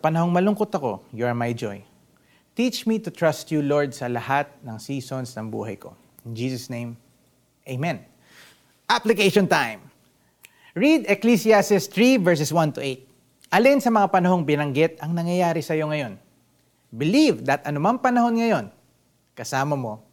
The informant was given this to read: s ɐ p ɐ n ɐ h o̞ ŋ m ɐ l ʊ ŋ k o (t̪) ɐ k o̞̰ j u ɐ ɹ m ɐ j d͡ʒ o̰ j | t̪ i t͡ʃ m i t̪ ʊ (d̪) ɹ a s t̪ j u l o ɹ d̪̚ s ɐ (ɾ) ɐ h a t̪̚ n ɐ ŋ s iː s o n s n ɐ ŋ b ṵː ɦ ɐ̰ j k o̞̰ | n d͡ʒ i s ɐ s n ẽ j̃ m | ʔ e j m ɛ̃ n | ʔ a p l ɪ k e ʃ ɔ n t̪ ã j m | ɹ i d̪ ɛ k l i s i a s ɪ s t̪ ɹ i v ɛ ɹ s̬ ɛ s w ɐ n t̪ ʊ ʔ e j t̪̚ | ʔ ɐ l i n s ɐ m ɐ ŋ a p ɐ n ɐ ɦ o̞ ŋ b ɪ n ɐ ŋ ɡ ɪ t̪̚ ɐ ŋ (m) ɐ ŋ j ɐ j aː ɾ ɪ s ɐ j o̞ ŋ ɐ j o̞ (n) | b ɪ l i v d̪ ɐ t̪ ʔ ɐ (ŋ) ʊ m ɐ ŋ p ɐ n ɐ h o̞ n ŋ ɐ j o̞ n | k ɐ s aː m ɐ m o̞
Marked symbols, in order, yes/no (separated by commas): yes, no, no, no, yes, no